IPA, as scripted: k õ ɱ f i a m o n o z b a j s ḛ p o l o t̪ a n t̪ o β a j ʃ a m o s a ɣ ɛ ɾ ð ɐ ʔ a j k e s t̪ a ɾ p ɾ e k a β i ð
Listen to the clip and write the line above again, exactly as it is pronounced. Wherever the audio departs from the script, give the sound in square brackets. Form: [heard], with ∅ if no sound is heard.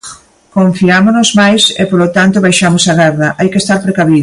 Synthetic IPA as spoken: k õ ɱ f i a m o n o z [m] a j s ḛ p o l o t̪ a n t̪ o β a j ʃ a m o s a ɣ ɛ ɾ ð ɐ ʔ a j k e s t̪ a ɾ p ɾ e k a β i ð